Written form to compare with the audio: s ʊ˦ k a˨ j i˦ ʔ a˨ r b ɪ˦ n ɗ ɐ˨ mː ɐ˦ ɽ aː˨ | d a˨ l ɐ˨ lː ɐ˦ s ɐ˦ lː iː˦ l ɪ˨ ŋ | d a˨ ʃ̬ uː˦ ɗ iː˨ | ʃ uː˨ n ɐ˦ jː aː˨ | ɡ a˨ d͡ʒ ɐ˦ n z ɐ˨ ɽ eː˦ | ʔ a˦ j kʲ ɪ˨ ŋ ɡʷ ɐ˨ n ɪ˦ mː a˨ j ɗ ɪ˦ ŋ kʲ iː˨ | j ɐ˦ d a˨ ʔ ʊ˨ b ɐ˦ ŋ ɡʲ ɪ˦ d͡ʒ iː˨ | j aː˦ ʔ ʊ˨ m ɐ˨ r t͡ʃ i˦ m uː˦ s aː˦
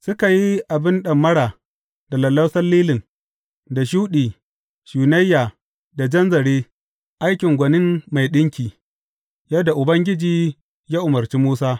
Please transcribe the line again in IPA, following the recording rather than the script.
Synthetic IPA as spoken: s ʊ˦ k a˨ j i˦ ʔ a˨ b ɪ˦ n ɗ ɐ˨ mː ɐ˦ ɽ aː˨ | d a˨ l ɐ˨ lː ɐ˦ s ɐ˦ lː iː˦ l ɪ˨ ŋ | d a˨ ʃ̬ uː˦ ɗ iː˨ | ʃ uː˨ n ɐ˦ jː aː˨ | d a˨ d͡ʒ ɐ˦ n z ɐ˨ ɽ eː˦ | ʔ a˦ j kʲ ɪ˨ ŋ ɡʷ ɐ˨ n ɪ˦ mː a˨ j ɗ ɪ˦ ŋ kʲ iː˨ | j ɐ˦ d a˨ ʔ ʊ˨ b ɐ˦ ŋ ɡʲ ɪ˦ d͡ʒ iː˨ | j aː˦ ʔ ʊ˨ m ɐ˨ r t͡ʃ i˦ m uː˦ s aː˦